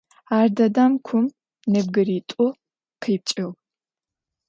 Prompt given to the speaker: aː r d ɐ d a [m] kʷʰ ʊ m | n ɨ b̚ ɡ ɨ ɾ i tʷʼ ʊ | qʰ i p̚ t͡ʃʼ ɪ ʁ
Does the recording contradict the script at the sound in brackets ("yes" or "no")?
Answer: no